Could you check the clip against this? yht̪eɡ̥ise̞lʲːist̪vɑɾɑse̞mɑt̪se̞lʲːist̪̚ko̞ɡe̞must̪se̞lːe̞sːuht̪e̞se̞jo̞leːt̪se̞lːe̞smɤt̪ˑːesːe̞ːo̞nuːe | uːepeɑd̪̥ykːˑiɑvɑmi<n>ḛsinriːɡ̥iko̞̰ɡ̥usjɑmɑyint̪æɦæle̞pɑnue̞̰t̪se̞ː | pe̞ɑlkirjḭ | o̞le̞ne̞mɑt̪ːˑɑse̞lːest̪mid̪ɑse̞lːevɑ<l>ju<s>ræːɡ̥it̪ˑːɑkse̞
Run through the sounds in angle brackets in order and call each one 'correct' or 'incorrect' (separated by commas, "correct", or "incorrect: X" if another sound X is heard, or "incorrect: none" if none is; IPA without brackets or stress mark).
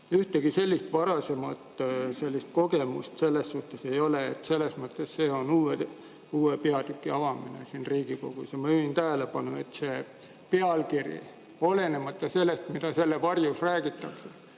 correct, incorrect: r, correct